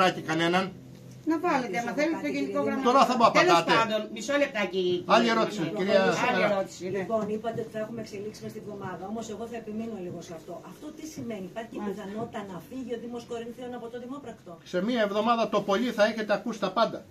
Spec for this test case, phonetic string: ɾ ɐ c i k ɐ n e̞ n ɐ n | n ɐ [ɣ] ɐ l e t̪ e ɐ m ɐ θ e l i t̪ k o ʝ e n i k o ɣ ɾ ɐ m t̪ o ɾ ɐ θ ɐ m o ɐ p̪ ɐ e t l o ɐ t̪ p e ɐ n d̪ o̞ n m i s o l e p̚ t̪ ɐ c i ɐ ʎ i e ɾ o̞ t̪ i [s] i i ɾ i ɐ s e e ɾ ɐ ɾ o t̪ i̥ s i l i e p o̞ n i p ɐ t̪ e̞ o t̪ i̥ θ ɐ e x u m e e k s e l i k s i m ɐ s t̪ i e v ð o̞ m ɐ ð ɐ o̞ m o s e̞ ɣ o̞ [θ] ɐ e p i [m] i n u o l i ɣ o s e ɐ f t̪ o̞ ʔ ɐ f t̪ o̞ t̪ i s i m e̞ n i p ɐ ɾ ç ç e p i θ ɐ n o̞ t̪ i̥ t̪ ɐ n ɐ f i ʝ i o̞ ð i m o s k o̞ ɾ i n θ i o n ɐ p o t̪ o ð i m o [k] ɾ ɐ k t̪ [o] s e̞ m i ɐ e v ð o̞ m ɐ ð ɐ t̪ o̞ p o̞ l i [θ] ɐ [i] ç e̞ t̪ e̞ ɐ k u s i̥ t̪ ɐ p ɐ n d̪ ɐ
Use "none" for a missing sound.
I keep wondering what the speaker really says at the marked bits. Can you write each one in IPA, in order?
v, s, θ, m, p, o, θ, e

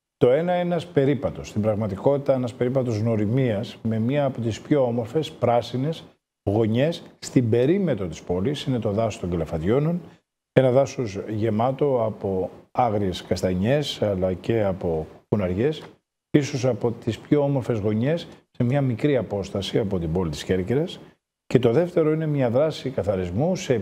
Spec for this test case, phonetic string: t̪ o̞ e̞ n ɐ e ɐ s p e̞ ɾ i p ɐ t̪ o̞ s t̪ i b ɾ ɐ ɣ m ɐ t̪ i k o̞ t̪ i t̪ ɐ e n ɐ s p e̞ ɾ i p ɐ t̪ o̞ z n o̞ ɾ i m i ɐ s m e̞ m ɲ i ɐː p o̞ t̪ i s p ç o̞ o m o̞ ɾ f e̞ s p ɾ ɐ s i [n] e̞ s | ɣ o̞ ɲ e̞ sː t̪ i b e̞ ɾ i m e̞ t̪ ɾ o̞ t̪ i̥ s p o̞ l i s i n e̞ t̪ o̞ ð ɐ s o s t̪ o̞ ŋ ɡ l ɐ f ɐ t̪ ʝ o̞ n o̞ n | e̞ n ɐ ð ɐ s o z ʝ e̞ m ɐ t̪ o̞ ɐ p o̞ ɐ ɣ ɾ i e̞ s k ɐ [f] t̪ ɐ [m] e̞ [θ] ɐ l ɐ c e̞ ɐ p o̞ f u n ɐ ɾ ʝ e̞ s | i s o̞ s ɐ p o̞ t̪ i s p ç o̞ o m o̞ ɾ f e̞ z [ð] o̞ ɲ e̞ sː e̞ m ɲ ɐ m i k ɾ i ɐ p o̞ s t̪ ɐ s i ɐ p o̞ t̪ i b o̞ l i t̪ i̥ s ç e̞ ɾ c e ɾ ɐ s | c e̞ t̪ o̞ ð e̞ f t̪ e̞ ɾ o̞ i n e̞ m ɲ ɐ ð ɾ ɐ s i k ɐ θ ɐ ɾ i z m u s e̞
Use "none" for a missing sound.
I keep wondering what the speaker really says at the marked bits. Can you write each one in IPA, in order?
n, s, ɲ, s, ɣ

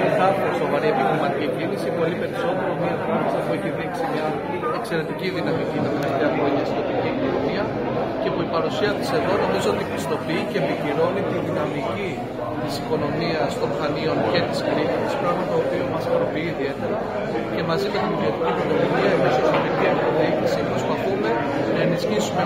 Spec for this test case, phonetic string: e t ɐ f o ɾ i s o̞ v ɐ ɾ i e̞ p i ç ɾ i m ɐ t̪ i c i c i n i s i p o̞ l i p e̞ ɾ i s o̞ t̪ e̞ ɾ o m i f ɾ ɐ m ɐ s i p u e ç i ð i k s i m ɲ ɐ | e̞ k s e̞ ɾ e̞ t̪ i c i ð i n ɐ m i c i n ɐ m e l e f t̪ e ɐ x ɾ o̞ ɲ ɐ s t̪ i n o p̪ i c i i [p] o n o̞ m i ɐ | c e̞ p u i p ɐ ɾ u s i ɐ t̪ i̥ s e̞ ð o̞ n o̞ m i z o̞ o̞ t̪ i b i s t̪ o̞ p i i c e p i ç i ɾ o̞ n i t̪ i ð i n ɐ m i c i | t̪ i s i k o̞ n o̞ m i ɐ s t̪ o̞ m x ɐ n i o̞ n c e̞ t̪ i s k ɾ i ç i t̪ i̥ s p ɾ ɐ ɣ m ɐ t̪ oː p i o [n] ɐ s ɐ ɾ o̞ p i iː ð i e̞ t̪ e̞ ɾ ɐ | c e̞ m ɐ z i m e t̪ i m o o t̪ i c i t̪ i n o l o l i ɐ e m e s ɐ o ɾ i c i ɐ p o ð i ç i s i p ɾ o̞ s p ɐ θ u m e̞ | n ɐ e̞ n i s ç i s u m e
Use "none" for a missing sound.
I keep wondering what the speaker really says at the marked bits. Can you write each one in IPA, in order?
k, m

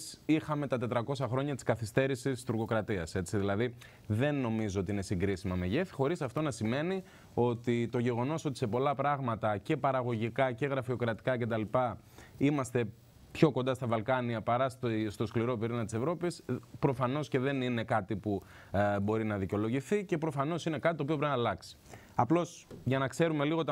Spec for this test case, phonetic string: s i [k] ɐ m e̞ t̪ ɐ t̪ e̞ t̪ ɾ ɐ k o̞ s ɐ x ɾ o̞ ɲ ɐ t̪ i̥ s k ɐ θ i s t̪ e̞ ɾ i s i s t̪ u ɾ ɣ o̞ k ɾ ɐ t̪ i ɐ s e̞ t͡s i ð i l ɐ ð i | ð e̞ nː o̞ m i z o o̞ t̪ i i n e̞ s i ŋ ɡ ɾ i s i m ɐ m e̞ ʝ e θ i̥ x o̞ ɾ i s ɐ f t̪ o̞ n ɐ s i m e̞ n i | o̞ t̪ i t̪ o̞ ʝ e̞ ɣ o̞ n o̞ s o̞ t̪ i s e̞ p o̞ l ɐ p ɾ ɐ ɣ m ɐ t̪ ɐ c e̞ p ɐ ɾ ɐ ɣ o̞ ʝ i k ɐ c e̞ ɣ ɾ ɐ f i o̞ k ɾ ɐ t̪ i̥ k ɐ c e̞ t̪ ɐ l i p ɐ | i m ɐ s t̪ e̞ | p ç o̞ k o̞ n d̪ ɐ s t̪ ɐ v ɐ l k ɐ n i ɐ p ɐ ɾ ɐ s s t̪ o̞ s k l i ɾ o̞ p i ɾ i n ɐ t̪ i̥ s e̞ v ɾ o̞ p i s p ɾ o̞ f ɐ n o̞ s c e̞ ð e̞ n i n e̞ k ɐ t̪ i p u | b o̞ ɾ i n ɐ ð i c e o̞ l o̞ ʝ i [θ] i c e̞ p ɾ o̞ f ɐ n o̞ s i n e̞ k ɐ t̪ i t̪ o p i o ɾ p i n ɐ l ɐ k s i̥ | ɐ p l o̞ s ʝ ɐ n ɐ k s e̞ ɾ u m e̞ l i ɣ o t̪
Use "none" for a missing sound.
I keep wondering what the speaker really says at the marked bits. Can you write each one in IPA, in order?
x, θ

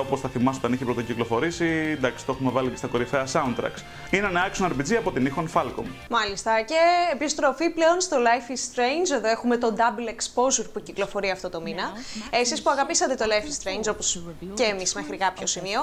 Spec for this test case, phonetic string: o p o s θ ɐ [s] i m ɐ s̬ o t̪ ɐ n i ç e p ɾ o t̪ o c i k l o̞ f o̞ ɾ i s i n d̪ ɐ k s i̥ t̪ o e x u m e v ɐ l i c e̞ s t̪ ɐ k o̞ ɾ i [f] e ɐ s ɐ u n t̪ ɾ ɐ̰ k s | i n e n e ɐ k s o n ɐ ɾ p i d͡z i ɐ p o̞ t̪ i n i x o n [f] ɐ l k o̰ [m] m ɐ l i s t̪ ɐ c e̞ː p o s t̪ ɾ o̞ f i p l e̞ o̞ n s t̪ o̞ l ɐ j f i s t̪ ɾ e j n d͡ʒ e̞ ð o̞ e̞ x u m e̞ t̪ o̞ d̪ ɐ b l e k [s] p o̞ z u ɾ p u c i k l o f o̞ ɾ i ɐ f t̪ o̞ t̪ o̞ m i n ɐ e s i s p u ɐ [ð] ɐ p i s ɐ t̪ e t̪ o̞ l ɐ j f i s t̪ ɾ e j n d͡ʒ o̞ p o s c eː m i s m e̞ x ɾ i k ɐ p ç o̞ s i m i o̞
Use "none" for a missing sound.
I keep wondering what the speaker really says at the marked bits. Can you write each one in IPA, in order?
θ, f, f, m, s, ɣ

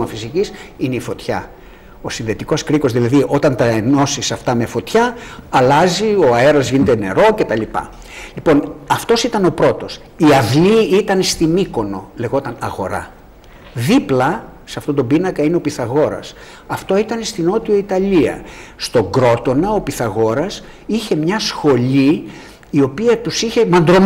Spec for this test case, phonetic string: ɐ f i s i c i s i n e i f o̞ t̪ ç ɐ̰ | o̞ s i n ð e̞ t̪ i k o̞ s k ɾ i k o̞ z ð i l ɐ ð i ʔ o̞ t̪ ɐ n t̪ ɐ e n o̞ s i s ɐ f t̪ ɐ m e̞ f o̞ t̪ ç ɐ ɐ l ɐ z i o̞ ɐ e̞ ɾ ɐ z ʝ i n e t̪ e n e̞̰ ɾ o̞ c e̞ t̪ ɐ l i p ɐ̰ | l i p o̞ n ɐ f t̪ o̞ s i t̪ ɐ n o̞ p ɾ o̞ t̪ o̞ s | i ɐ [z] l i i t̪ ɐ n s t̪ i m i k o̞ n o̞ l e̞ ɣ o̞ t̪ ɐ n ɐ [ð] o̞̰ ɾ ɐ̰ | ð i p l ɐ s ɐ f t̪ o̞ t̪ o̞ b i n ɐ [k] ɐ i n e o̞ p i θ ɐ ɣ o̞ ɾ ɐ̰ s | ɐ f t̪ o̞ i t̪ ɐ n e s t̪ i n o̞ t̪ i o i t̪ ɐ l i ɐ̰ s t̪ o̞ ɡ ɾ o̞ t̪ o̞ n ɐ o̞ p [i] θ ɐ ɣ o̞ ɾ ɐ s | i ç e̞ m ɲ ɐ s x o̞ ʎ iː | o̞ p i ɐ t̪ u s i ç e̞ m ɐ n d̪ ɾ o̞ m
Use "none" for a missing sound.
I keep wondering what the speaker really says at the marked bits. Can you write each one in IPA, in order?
v, ɣ, k, i

